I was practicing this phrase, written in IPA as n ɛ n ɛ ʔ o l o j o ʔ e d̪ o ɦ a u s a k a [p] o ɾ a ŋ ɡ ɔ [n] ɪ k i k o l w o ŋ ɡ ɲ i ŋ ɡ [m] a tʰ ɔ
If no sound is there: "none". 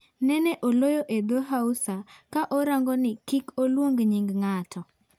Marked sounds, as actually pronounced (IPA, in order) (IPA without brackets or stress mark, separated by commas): ʔ, n, ŋ